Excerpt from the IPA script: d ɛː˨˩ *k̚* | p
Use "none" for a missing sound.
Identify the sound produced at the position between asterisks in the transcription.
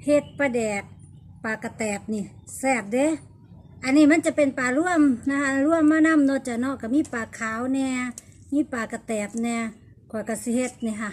k̚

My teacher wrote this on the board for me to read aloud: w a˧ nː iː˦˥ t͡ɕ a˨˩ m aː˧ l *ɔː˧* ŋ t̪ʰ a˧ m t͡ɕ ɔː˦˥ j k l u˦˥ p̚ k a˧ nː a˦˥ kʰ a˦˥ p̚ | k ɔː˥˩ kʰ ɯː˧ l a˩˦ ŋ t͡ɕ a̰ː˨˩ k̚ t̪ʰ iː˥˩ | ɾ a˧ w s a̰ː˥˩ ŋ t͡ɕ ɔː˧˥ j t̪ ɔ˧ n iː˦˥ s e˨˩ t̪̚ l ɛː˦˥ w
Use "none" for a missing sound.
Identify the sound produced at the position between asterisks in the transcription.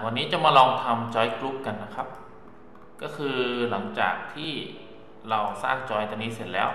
ɔː˧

